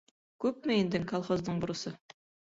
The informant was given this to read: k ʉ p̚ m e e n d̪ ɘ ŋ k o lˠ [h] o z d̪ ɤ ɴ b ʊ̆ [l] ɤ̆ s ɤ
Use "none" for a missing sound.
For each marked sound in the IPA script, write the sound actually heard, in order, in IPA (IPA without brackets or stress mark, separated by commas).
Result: χ, ɾ